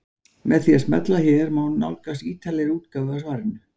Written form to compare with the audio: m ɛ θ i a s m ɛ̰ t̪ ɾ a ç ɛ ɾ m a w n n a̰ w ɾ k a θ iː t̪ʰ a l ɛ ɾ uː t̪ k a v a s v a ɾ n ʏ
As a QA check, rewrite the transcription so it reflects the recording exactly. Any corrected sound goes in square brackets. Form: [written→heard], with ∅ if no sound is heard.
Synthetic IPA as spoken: m ɛ θ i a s m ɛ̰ t̪ [ɾ→l] a ç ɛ ɾ m a w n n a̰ w [ɾ→l] k a [θ→s] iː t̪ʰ a l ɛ ɾ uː t̪ k a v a s v a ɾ n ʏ